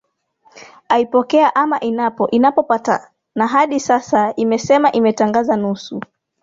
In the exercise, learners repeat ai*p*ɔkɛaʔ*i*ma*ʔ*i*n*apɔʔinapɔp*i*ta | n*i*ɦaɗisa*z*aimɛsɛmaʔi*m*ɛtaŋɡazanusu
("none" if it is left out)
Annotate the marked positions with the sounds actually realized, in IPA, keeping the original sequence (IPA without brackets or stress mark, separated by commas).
p, a, ʔ, n, a, a, s, m